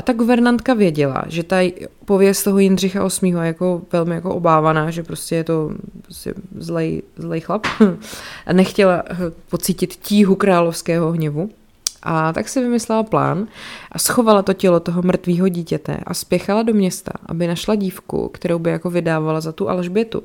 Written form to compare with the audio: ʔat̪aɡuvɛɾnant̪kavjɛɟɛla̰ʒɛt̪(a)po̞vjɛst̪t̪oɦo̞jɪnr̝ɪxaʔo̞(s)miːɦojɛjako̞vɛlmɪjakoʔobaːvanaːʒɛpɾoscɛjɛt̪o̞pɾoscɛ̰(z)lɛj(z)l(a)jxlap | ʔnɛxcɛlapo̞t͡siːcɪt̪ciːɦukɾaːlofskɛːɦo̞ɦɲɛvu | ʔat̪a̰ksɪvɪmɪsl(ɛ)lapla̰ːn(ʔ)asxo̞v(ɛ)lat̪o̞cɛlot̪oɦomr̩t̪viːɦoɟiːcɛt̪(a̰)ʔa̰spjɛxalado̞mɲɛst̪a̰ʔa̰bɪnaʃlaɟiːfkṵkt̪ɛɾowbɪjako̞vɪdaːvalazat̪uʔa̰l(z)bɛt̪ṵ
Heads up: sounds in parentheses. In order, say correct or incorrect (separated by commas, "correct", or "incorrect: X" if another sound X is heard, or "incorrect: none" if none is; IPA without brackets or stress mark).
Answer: correct, correct, correct, correct, incorrect: ɛ, correct, correct, incorrect: a, incorrect: ɛ̰, incorrect: ʒ